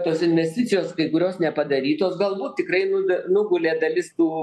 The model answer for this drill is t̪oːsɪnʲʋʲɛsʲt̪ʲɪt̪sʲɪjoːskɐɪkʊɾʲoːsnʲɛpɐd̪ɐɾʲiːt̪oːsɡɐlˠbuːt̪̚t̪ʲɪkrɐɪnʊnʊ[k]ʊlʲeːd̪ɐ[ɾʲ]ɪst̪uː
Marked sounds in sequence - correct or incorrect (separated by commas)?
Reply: incorrect, incorrect